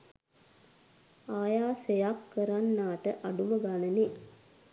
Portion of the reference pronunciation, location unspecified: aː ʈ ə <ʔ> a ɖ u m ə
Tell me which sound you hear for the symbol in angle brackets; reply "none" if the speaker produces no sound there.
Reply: ʔ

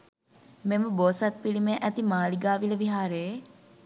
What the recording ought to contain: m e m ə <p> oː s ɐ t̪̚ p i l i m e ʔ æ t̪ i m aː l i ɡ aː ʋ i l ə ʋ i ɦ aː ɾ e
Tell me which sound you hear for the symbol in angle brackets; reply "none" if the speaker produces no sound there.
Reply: b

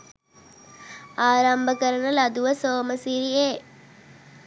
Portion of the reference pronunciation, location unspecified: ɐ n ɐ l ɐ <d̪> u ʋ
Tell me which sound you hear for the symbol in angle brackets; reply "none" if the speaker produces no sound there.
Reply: d̪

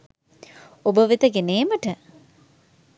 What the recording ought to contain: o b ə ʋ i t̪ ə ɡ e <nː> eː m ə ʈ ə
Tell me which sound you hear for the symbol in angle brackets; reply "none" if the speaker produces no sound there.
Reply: n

